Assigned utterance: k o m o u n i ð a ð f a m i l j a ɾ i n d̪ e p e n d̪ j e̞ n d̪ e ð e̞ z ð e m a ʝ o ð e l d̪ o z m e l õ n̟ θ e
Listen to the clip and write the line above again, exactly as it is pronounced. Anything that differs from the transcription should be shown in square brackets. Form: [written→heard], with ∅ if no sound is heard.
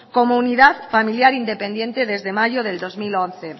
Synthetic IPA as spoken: k o m o u n i ð a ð f a m i l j a ɾ i n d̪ e p e n d̪ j e̞ n [d̪→t̪] e ð e̞ z ð e m a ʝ o ð e l d̪ o z m [e→i] l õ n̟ θ e